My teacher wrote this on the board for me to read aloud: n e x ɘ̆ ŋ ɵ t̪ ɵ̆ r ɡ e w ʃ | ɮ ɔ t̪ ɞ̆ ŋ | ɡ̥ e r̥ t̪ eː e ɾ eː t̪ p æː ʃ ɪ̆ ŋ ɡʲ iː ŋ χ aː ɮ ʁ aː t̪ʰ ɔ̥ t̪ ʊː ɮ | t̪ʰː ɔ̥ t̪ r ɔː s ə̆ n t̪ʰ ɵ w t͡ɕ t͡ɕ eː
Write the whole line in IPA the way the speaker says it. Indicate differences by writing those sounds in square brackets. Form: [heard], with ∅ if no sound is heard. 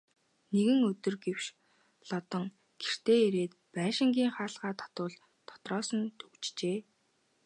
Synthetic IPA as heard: n e [ɣ] ɘ̆ ŋ ɵ t̪ ɵ̆ r ɡ e w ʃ | ɮ ɔ t̪ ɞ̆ ŋ | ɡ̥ e r̥ t̪ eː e ɾ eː t̪ p æː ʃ ɪ̆ ŋ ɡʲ iː ŋ χ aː ɮ ʁ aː t̪ʰ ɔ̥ t̪ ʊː ɮ | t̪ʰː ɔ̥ t̪ r ɔː s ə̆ n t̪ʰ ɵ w t͡ɕ t͡ɕ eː